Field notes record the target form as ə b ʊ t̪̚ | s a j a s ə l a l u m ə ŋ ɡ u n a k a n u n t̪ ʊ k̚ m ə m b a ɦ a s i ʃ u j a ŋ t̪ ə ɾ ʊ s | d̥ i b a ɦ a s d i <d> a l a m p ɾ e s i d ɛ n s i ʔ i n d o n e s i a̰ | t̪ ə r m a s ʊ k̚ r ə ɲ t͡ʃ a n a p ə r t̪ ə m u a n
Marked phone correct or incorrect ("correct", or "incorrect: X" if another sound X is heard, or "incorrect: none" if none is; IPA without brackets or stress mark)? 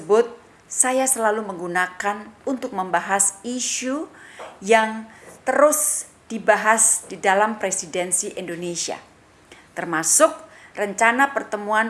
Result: correct